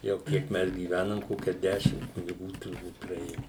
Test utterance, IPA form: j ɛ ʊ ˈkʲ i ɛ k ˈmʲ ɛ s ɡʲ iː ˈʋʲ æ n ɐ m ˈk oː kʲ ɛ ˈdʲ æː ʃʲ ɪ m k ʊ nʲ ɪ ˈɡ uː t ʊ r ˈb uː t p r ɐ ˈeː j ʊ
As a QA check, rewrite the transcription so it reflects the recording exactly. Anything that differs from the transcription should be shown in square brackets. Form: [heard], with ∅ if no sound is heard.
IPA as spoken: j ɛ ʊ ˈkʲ i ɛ k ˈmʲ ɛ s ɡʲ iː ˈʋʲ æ n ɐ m ˈk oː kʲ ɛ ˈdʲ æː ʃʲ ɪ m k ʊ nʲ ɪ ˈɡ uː t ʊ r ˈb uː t p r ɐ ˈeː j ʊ